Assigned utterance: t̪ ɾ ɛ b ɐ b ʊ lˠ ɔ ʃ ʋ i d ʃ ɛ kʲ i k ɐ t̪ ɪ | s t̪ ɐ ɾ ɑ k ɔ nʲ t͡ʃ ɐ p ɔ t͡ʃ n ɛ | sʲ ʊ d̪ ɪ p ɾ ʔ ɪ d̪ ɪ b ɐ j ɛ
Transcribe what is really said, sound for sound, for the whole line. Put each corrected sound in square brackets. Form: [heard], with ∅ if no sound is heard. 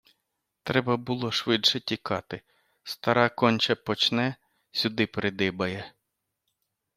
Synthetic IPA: t̪ ɾ ɛ b ɐ b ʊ lˠ ɔ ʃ ʋ [ɪ] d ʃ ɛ [tʲ] i k [ɑ] t̪ ɪ | s t̪ ɐ ɾ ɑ k ɔ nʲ t͡ʃ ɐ p ɔ t͡ʃ n ɛ | sʲ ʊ d̪ ɪ p ɾ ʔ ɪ d̪ ɪ b ɐ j ɛ